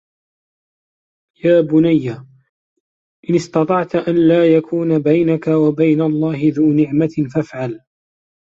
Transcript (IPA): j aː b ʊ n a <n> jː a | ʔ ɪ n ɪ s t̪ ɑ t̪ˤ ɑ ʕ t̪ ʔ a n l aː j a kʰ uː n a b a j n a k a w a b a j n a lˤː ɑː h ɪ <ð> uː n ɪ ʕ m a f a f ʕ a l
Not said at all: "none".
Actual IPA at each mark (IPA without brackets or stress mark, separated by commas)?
none, ð